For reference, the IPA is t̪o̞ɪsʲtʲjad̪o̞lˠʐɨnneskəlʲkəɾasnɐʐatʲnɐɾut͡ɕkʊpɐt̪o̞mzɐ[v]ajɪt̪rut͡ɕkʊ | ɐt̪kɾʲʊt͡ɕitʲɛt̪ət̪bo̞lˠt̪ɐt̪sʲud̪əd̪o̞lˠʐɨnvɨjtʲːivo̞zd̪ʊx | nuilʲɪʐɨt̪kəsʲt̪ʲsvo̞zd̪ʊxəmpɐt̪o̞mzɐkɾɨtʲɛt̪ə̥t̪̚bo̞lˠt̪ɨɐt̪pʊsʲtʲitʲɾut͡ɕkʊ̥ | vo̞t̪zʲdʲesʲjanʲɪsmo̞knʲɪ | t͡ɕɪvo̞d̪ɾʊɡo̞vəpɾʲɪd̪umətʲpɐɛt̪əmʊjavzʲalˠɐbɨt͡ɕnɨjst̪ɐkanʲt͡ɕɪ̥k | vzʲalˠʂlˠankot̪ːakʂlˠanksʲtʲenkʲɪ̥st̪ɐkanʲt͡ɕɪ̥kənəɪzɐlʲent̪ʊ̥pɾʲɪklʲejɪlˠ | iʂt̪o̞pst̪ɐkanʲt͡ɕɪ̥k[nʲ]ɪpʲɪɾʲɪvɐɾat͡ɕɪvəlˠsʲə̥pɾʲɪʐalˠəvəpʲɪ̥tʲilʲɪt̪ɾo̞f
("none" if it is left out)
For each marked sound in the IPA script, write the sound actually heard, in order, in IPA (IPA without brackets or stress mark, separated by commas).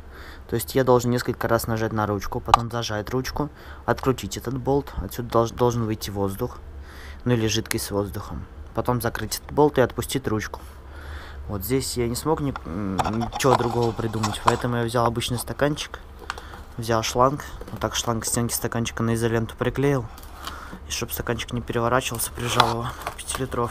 ʐ, nʲ